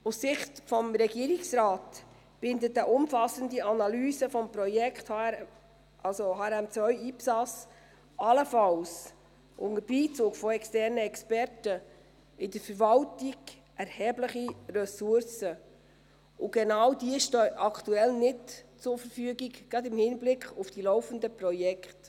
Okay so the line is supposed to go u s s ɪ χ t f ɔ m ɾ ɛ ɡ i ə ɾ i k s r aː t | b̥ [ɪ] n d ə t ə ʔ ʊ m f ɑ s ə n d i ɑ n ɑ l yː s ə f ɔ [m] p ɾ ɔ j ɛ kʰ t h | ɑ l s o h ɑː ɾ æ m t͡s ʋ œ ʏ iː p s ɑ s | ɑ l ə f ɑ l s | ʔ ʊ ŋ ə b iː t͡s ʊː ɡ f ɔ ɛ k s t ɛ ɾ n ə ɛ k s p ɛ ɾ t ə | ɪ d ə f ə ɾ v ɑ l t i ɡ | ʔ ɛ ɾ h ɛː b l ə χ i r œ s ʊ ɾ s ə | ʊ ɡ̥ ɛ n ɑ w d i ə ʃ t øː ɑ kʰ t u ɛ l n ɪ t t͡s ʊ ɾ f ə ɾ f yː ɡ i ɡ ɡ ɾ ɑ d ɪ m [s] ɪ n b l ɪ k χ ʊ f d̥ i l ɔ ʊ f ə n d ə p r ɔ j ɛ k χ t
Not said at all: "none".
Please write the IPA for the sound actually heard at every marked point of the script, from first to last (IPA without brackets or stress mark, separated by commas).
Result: ɪ, m, h